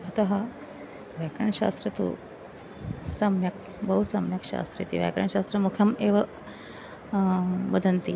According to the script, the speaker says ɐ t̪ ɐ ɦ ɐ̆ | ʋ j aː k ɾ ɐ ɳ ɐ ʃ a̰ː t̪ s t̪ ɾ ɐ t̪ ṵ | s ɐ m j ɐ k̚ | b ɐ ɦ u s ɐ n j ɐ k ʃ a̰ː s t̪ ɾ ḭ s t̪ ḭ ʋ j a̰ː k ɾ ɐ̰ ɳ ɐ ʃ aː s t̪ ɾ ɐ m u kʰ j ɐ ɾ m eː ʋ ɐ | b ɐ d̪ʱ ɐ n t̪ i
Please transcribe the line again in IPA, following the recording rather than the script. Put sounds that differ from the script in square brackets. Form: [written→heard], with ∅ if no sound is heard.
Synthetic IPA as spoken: ɐ t̪ ɐ ɦ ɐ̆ | ʋ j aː k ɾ ɐ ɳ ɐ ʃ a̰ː [t̪→∅] s t̪ ɾ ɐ t̪ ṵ | s ɐ m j ɐ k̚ | b ɐ ɦ u s ɐ [n→m] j ɐ k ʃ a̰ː s t̪ ɾ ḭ [s→∅] t̪ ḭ ʋ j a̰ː k ɾ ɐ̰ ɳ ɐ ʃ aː s t̪ ɾ ɐ m u kʰ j ɐ [ɾ→∅] m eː ʋ ɐ | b ɐ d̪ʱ ɐ n t̪ i